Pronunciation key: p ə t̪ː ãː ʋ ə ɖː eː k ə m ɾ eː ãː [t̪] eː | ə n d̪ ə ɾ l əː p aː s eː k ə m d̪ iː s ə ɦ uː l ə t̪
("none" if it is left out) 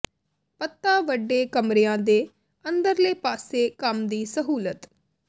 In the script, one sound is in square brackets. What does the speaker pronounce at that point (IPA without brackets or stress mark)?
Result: d̪